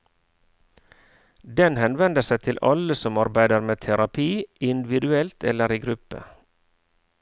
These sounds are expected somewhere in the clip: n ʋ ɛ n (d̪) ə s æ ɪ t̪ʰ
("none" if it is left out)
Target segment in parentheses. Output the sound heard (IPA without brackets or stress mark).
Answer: d̪